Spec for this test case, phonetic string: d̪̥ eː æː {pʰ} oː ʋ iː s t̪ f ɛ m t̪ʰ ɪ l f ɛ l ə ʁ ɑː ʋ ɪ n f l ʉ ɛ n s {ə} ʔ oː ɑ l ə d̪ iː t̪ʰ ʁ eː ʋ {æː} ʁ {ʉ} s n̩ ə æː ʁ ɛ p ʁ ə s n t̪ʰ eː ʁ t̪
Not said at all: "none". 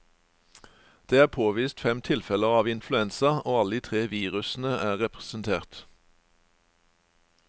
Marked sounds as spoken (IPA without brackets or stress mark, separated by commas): pʰ, ɑ, iː, ʉ